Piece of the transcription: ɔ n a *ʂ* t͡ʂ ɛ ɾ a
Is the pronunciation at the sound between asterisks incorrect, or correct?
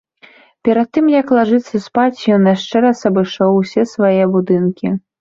correct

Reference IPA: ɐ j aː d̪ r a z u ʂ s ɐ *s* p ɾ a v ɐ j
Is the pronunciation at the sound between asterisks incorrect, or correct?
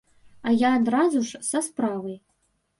correct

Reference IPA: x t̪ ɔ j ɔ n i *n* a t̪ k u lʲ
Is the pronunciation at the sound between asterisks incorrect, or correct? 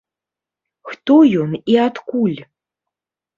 incorrect: none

